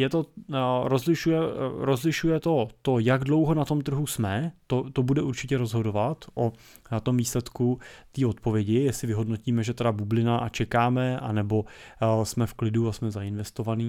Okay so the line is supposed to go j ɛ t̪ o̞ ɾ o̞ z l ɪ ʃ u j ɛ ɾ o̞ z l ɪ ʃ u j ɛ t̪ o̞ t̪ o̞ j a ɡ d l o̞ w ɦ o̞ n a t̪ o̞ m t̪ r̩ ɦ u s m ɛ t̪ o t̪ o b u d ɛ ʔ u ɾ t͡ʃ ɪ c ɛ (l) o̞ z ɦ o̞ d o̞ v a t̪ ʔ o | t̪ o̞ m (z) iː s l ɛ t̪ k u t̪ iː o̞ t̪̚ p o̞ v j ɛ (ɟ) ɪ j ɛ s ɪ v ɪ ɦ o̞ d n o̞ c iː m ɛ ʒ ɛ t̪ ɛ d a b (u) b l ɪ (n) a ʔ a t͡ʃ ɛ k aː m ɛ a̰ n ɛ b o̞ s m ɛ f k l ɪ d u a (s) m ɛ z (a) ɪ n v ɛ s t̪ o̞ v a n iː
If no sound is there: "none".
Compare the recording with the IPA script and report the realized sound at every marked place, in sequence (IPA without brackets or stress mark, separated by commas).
ɾ, v, ɟ, u, n, s, a